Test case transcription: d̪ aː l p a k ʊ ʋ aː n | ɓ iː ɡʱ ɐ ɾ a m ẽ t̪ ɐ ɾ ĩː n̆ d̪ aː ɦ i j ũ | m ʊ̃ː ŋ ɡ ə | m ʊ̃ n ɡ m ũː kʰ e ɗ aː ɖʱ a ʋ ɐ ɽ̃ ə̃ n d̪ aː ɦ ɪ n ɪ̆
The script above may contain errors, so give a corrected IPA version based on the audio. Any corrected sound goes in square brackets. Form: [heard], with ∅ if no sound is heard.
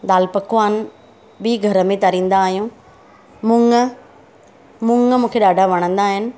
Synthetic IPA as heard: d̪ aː l p [ɐ] k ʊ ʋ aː n | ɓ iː ɡʱ ɐ ɾ [ə] m ẽ t̪ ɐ ɾ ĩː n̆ d̪ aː ɦ i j ũ | m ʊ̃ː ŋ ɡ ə | m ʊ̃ [ŋ] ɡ m ũː kʰ e ɗ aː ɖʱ a ʋ ɐ ɽ̃ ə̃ n d̪ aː ɦ ɪ n ɪ̆